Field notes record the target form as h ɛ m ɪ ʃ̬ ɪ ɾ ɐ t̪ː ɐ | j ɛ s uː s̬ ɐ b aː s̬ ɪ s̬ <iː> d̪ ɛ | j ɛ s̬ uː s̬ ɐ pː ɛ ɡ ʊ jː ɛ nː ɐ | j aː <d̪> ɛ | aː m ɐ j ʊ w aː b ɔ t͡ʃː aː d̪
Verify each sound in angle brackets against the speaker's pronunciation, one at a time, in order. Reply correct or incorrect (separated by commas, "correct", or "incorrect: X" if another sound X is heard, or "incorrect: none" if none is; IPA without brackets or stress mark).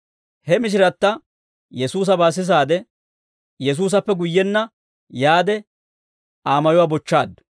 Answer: incorrect: aː, correct